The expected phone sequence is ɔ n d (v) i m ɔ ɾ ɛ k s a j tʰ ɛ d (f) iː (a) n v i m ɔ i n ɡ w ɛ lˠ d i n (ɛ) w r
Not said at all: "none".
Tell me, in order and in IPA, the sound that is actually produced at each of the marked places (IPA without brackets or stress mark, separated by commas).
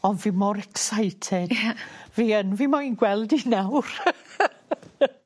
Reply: v, v, ə, a